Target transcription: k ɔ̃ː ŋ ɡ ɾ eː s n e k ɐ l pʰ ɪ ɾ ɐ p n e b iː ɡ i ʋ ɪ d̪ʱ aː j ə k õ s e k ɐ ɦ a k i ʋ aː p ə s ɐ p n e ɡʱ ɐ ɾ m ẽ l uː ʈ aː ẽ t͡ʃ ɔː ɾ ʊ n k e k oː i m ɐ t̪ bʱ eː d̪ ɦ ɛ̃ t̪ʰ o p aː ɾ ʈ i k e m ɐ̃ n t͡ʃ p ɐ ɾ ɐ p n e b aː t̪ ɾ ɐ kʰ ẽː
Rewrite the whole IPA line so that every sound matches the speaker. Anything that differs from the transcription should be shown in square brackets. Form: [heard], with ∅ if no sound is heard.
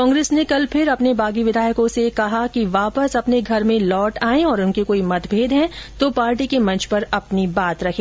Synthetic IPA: k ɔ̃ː ŋ ɡ ɾ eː s n e k ɐ l pʰ ɪ ɾ ɐ p n e b [aː] ɡ i ʋ ɪ d̪ʱ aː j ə k õ s e k ɐ ɦ a k i ʋ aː p ə s ɐ p n e ɡʱ ɐ ɾ m ẽ l [ɔː] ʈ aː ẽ [∅] ɔː ɾ ʊ n k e k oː i m ɐ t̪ bʱ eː d̪ ɦ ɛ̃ [t̪] o p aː ɾ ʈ i k e m ɐ̃ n t͡ʃ p ɐ ɾ ɐ p n [i] b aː t̪ ɾ ɐ kʰ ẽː